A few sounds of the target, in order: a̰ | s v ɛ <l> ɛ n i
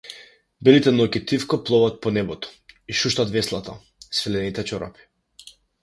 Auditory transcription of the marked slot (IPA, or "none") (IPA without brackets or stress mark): l